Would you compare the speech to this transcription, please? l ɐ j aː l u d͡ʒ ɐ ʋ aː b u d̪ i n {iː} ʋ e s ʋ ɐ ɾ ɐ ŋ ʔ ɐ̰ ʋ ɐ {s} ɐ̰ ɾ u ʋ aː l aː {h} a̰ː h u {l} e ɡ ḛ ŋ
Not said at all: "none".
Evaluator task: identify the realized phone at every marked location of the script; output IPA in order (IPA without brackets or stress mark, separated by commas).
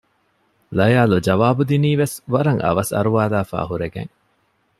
iː, s, f, ɾ